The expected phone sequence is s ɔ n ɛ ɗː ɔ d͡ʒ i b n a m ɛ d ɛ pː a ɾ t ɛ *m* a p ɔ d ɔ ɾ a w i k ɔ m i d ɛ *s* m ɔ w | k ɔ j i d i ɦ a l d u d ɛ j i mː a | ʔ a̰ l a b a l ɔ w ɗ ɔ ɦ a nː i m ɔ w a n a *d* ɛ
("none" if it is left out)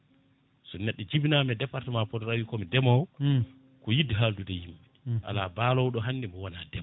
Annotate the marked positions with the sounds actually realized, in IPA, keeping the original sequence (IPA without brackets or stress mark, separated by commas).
m, none, d